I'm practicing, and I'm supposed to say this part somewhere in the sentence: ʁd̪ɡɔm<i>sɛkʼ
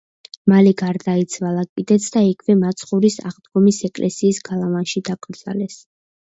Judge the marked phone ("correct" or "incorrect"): correct